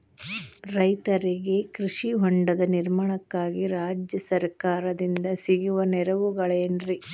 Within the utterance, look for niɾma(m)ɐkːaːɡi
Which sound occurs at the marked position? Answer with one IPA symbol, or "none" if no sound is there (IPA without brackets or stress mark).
ɳ